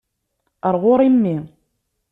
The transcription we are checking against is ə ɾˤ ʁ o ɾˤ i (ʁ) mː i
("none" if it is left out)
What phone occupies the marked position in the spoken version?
none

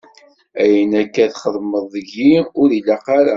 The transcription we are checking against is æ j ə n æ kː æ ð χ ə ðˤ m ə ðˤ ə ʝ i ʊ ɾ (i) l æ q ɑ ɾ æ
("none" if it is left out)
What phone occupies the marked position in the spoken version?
i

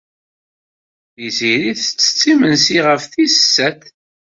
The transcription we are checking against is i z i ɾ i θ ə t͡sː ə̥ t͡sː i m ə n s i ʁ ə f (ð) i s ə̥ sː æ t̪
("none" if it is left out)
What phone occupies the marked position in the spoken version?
θ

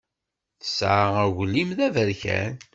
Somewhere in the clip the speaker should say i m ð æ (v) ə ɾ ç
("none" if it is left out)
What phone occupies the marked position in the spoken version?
v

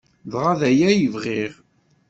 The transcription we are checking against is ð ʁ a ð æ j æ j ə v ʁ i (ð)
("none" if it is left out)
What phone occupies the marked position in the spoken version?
ʁ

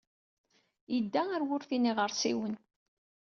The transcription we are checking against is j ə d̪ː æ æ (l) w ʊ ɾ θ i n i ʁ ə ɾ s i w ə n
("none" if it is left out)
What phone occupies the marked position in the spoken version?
ɾ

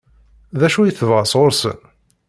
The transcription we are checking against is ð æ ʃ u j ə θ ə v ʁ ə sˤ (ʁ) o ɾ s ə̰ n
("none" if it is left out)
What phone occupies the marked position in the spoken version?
ʁ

